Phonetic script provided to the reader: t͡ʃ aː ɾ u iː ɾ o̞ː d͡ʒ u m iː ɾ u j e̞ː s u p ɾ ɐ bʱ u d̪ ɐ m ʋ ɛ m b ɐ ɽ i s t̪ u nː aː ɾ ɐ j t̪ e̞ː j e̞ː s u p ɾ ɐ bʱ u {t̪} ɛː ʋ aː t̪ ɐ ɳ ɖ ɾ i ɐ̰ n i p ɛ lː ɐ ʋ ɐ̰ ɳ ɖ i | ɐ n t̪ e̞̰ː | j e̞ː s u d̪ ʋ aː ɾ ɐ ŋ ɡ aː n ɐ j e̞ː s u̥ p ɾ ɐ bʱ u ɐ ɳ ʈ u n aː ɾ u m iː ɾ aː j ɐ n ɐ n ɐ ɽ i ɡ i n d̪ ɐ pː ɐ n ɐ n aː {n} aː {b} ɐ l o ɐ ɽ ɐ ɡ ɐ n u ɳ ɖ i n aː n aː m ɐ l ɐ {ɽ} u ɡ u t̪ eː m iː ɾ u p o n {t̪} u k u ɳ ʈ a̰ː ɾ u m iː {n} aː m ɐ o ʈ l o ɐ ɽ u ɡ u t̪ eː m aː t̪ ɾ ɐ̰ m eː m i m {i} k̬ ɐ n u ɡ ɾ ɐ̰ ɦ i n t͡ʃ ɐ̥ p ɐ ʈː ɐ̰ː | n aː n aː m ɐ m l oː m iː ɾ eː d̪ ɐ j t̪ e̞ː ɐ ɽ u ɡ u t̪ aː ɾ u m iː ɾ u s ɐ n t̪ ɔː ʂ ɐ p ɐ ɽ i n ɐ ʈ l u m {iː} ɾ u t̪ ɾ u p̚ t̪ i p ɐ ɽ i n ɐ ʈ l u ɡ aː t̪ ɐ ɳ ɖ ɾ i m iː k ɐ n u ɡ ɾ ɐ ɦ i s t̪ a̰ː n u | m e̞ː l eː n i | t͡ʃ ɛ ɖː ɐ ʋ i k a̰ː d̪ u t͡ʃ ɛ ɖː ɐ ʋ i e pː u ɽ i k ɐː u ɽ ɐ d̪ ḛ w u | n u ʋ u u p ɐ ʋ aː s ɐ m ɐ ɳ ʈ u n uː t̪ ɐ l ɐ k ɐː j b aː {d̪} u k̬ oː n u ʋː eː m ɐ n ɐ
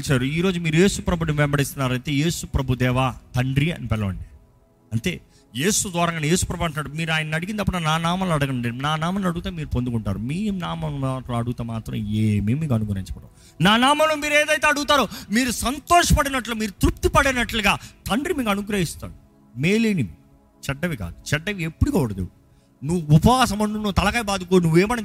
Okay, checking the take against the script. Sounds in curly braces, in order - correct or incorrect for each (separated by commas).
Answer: incorrect, correct, incorrect, correct, incorrect, correct, incorrect, correct, correct